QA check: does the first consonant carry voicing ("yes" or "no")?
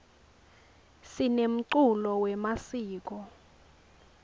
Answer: no